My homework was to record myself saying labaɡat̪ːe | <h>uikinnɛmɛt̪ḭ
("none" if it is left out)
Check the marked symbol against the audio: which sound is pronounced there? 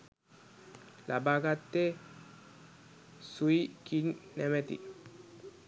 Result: s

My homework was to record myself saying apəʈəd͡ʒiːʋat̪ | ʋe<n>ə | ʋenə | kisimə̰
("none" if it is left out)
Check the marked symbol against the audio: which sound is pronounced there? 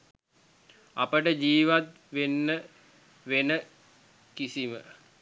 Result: nː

